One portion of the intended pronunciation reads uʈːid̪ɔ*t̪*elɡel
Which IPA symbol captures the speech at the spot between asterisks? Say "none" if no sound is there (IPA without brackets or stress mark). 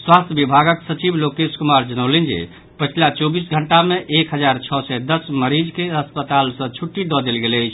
d̪